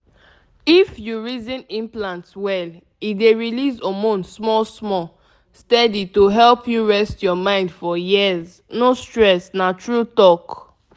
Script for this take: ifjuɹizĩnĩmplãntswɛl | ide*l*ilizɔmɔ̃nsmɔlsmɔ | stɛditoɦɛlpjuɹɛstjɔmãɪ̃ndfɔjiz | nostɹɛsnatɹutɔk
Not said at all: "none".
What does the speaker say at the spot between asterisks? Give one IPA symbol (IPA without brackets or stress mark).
ɹ